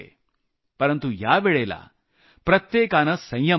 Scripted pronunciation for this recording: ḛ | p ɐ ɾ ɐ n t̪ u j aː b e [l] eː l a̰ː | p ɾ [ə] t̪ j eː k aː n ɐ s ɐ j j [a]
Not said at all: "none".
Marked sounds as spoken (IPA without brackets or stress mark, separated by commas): ɭ, ɐ, ɐ